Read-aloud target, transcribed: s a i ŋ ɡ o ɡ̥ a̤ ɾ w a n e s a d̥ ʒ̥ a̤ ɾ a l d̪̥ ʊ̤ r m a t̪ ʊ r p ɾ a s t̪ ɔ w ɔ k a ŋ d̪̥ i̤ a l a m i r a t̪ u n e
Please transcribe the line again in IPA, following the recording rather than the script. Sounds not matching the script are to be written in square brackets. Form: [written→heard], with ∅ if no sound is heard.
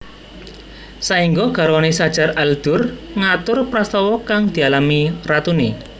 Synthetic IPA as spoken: s a i ŋ ɡ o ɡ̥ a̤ ɾ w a n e s a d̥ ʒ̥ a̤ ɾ a l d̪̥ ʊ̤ r [m→ŋ] a t̪ ʊ r p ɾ a s t̪ ɔ w ɔ k a ŋ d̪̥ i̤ a l a m i r a t̪ u n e